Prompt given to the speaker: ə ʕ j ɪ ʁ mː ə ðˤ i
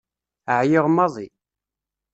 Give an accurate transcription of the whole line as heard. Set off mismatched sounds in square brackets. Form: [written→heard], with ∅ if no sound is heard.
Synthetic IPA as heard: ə ʕ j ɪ ʁ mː [ə→ɑ] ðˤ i